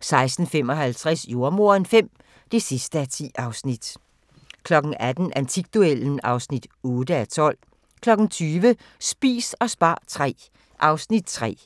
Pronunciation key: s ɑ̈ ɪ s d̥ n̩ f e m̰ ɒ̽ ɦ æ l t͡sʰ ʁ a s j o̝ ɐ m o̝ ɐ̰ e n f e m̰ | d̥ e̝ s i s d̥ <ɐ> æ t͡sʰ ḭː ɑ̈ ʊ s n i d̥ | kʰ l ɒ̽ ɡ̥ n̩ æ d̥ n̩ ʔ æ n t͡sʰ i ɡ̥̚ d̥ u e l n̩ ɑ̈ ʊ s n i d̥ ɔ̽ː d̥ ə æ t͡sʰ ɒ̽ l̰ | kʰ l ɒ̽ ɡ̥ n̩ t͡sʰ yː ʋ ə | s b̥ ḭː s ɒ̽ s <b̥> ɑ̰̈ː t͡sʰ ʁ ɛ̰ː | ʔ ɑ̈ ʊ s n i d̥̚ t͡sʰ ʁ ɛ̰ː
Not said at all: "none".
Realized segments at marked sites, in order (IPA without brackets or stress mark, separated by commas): ə, b̥